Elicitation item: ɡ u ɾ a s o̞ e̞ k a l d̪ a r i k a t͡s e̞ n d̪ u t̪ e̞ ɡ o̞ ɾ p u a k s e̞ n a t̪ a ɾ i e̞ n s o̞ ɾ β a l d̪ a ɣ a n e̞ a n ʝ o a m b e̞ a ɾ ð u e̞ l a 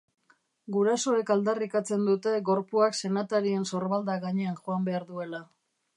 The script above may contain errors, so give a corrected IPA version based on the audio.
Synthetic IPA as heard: ɡ u ɾ a s o̞ e̞ k a l d̪ a r i k a t͡s e̞ n d̪ u t̪ e̞ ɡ o̞ ɾ p u a k s e̞ n a t̪ a ɾ i e̞ n s o̞ ɾ β a l d̪ a ɣ a ɲ e̞ a n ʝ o a m b e̞ a ɾ ð u e̞ l a